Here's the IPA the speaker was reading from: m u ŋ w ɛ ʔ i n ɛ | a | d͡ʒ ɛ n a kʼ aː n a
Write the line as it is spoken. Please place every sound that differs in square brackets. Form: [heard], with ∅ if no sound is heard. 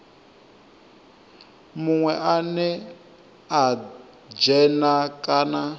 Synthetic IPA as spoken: m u ŋ w ɛ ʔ [a] n ɛ | a | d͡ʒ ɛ n a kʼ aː n a